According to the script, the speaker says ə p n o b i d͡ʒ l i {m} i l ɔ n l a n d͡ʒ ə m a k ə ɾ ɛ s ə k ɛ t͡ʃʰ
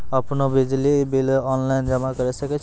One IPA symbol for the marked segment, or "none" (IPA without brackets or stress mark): b